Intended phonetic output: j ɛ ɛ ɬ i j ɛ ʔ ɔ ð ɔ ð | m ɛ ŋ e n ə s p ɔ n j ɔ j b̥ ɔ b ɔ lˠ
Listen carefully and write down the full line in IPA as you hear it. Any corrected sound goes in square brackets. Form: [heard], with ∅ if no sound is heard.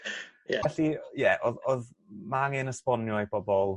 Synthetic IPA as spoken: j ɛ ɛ ɬ i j ɛ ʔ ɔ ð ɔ ð | m [a] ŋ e n ə s p ɔ n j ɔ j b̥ ɔ b ɔ lˠ